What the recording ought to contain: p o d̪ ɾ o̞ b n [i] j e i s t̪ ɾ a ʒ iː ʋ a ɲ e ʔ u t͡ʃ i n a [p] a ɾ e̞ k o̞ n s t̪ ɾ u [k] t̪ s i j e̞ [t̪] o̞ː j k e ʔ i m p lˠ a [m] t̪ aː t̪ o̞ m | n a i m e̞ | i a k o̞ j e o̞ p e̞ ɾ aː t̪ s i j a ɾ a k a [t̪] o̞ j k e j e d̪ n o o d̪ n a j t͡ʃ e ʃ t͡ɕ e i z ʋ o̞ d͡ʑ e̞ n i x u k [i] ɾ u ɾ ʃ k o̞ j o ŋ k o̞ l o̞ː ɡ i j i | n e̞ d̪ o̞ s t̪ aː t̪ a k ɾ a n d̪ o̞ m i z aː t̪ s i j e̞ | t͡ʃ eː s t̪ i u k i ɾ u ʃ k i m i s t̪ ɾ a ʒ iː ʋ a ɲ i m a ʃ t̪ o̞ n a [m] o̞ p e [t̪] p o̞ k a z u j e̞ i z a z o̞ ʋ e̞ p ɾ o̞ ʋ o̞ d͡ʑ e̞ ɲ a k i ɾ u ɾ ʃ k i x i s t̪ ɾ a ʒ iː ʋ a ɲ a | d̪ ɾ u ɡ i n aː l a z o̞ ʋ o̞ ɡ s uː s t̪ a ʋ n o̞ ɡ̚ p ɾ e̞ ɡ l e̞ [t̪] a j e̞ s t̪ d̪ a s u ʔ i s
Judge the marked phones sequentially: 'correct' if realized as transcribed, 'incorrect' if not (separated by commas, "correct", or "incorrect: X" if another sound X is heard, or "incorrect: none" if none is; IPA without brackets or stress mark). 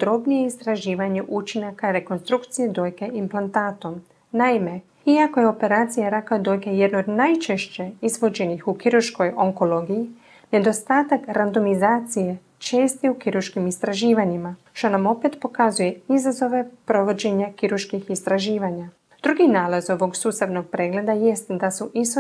correct, incorrect: k, correct, incorrect: d̪, incorrect: n, incorrect: d̪, correct, correct, correct, incorrect: d̪